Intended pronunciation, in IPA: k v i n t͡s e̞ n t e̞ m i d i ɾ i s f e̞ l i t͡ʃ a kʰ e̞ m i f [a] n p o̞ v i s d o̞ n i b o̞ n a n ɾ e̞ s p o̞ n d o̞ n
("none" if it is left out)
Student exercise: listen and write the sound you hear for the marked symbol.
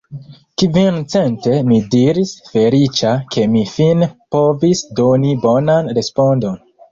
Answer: i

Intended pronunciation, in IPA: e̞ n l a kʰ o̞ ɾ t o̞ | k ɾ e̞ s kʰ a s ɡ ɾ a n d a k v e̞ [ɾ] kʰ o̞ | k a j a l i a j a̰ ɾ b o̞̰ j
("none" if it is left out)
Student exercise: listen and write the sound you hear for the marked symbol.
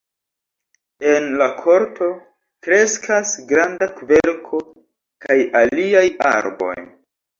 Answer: ɾ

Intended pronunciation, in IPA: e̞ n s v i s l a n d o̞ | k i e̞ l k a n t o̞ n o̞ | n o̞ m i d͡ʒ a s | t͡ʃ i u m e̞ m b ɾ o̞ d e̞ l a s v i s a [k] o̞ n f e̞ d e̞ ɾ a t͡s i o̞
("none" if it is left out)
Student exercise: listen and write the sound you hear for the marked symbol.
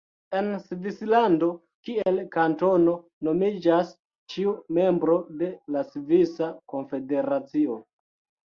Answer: k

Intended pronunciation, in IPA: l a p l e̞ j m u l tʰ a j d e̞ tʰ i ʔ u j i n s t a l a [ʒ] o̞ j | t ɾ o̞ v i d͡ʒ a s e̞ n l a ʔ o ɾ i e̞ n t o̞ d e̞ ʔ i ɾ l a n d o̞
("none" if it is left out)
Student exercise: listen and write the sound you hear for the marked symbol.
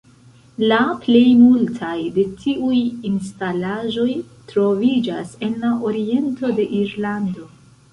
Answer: ʒ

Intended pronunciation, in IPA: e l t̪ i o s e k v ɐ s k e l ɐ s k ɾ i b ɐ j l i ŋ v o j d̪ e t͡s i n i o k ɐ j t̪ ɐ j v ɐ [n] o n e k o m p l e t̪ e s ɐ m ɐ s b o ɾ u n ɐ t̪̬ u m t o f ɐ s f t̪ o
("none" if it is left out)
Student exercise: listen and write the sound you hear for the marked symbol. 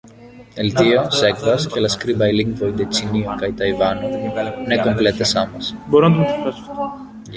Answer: n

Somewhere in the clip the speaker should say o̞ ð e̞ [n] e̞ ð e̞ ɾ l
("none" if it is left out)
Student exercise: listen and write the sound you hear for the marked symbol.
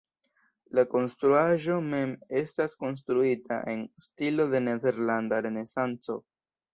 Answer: n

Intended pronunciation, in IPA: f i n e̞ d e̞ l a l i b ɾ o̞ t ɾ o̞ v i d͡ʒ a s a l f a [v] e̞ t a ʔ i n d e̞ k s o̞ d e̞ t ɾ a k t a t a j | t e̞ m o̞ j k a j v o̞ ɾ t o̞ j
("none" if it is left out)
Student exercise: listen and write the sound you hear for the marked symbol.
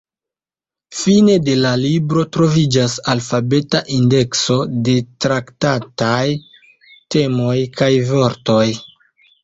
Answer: b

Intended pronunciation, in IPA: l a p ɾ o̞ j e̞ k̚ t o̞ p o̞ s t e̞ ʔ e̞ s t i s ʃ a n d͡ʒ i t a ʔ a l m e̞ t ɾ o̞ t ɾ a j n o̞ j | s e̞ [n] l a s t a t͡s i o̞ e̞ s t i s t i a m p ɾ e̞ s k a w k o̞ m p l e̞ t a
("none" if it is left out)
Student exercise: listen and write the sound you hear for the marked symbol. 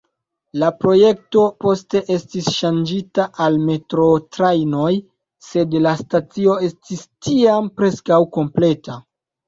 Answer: d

